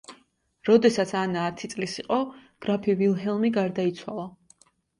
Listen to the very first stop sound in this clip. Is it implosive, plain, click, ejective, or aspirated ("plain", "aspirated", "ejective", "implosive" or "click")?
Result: plain